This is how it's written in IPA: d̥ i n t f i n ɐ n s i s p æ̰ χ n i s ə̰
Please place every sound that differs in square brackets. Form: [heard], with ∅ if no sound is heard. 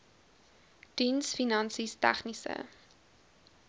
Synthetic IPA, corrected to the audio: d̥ i n [s] f i n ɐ n s i s [t] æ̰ χ n i s ə̰